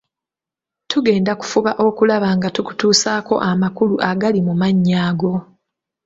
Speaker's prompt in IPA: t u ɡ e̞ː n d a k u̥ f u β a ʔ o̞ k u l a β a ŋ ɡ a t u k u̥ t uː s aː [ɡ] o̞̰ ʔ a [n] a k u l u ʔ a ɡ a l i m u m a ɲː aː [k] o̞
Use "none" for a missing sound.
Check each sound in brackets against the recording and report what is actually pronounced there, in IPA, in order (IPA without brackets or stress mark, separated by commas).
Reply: k, m, ɡ